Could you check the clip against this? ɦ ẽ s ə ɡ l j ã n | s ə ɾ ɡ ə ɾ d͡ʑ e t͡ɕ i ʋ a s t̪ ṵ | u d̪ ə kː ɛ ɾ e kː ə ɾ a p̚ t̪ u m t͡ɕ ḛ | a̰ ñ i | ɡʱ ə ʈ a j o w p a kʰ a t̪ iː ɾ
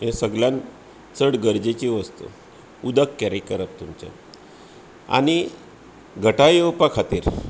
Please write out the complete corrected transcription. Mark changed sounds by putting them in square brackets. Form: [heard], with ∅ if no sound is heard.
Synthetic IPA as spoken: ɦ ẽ s ə ɡ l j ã n | [t͡s] ə [ɽ] ɡ ə ɾ d͡ʑ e t͡ɕ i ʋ [ə] s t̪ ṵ | u d̪ ə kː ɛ ɾ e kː ə ɾ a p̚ t̪ u m t͡ɕ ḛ | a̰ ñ i | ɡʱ ə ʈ a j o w p a kʰ a t̪ iː ɾ